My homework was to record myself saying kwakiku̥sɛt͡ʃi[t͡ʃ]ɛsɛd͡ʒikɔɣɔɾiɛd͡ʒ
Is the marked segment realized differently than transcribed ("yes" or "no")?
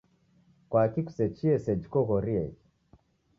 yes